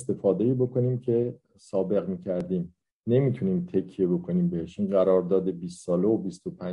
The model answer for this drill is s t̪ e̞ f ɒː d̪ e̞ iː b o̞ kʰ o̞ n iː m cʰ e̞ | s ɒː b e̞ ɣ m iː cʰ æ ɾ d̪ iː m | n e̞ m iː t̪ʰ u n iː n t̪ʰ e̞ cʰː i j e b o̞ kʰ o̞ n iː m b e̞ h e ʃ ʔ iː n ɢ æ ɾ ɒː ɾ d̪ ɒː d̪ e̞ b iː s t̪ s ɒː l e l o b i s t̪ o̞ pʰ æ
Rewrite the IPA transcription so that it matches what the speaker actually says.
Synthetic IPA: s t̪ e̞ f ɒː d̪ e̞ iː b o̞ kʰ o̞ n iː m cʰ e̞ | s ɒː b e̞ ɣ m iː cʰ æ ɾ d̪ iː m | n e̞ m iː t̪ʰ u n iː m t̪ʰ e̞ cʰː i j e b o̞ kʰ o̞ n iː m b e̞ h e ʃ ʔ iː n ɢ æ ɾ ɒː ɾ d̪ ɒː d̪ e̞ b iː s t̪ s ɒː l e o b i s t̪ o̞ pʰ æ